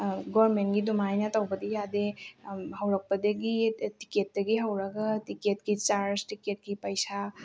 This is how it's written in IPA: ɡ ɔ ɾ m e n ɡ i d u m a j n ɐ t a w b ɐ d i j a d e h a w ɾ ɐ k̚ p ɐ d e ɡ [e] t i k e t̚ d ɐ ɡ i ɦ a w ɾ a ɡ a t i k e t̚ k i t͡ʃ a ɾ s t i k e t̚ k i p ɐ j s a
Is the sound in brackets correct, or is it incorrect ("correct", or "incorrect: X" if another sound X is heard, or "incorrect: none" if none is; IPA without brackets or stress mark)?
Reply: incorrect: i